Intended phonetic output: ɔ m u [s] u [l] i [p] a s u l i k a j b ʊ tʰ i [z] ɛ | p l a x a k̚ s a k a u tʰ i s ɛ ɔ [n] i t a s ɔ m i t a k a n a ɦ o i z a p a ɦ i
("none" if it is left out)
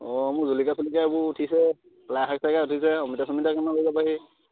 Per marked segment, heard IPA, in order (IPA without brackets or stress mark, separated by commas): z, l, k, s, m